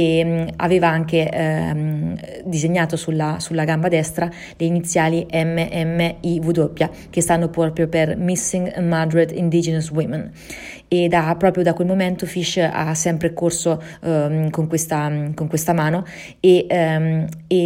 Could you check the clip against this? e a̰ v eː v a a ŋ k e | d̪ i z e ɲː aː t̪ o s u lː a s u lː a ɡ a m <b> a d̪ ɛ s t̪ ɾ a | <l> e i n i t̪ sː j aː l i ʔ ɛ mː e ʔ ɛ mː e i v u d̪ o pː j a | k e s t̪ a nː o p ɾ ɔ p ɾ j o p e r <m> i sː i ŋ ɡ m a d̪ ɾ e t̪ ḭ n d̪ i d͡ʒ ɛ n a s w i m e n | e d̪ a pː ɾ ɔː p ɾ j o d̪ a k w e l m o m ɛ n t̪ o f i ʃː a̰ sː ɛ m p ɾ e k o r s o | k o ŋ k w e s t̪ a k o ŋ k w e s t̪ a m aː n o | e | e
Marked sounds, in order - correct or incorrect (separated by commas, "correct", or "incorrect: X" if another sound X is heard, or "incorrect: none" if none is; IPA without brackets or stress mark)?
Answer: correct, correct, correct